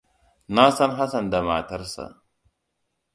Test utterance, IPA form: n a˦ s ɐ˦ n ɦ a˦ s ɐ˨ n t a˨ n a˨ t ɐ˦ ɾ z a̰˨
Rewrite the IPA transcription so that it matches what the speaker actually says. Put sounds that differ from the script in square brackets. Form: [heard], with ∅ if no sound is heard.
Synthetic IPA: n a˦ s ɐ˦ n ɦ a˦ s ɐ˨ n [d] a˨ [m] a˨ t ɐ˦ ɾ [s] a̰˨